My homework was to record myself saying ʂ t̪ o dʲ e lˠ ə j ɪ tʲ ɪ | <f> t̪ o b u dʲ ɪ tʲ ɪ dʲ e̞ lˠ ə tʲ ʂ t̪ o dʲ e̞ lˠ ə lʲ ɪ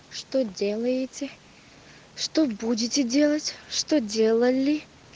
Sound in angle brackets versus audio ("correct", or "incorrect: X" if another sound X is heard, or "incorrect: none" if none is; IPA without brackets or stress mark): incorrect: ʂ